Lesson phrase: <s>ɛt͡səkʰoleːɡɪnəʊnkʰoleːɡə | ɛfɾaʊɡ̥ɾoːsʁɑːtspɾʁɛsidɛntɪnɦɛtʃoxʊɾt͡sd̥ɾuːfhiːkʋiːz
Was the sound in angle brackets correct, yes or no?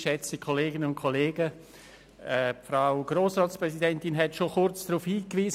no